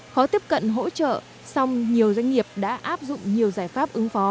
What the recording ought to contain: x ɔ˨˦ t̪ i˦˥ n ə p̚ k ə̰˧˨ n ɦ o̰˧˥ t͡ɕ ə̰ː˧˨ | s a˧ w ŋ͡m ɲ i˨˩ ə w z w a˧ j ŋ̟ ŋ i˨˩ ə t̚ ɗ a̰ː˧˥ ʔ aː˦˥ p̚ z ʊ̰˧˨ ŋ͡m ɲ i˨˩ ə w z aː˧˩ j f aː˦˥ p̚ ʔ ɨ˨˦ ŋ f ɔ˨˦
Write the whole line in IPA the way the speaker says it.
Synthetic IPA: x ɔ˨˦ t̪ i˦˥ ə p̚ k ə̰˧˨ n ɦ o̰˧˥ t͡ɕ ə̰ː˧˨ | s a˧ w ŋ͡m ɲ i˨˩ ə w z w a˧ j ŋ̟ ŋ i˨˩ ə p̚ ɗ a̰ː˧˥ ʔ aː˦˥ p̚ z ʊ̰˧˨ ŋ͡m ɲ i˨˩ ə w z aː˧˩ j f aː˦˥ p̚ ʔ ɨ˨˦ ŋ f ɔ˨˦